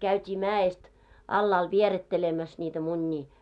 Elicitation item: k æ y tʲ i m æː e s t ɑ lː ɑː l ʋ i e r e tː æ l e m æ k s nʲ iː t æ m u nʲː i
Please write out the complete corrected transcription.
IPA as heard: k æ y tʲ iː m æː e s t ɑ lː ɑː l ʋ i e r e tː e l e m æ s nʲ iː t æ m u nʲː iː